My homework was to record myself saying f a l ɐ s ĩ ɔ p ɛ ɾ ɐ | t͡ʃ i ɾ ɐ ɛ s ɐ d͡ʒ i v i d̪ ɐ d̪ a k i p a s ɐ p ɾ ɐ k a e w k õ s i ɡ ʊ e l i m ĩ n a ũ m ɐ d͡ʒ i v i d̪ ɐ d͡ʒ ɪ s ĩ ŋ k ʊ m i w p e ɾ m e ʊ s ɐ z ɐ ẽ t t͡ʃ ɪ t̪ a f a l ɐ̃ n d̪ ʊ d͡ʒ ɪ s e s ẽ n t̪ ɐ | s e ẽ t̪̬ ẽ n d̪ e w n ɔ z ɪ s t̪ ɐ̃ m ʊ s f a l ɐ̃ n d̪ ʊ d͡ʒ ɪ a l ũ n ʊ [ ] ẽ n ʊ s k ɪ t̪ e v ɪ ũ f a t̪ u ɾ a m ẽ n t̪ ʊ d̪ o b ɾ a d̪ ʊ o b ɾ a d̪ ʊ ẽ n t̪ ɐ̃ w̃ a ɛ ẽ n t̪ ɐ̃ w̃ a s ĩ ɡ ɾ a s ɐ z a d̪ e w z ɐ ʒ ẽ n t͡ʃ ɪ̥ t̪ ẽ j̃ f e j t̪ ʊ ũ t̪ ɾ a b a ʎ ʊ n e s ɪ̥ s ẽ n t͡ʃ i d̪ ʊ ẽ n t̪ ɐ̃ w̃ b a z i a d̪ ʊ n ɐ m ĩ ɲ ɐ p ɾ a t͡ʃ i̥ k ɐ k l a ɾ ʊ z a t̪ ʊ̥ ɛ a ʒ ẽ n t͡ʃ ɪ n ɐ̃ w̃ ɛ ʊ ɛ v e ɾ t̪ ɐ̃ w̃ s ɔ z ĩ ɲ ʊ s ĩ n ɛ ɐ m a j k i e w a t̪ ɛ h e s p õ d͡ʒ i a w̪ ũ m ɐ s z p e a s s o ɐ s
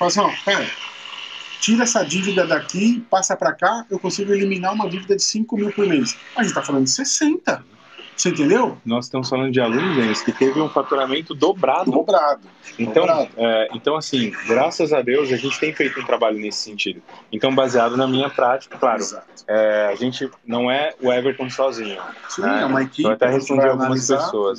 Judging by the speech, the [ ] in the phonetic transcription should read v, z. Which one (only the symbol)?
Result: z